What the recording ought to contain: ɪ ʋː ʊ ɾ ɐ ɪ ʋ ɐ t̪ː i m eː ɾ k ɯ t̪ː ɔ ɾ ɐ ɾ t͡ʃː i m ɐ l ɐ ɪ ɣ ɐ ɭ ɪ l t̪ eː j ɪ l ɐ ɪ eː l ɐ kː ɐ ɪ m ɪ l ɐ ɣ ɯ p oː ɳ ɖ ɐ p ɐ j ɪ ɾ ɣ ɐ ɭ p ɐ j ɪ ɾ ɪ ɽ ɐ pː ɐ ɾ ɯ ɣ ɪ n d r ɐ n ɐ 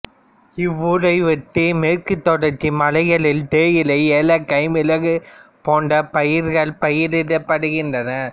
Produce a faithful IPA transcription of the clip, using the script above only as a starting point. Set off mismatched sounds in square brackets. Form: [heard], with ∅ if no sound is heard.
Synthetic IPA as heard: ɪ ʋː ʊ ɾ ɐ ɪ ʋ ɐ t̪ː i m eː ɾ k ɯ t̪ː ɔ [ɽ] ɐ ɾ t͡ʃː i m ɐ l ɐ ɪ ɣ ɐ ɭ ɪ l t̪ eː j ɪ l ɐ ɪ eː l ɐ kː ɐ ɪ m ɪ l ɐ ɣ ɯ p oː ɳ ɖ ɐ p ɐ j ɪ ɾ ɣ ɐ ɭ p ɐ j ɪ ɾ ɪ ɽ ɐ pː ɐ [ɽ] ɯ ɣ ɪ n d r ɐ n ɐ